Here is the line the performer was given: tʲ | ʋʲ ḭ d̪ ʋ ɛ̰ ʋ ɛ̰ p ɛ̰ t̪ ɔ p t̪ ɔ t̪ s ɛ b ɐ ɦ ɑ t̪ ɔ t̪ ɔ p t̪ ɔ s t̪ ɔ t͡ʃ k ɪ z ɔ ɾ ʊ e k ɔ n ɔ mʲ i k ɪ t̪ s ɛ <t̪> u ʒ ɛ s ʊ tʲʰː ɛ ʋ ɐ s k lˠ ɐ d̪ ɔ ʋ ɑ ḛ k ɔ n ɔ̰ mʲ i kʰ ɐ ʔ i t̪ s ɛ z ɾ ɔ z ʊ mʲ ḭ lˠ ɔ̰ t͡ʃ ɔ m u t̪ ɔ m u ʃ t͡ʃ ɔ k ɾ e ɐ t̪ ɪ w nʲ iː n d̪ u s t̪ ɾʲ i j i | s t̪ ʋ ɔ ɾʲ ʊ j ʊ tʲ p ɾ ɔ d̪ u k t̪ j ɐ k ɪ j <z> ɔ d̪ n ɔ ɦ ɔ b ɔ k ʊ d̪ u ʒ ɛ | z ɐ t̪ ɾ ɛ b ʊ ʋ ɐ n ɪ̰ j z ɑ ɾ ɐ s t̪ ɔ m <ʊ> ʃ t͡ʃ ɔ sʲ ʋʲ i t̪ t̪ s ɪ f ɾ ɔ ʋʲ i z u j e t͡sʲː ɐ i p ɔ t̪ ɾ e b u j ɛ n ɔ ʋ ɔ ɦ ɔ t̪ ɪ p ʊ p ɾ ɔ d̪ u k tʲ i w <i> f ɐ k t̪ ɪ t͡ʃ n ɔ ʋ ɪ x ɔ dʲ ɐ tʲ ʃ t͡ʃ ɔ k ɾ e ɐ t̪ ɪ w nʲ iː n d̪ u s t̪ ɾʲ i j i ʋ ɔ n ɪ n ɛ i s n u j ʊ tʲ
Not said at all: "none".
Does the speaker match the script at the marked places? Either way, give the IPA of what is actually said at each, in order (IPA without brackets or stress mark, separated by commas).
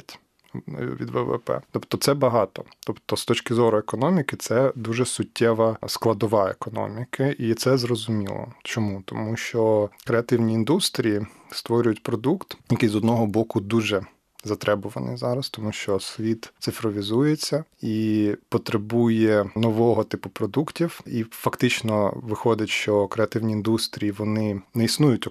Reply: d̪, z, u, i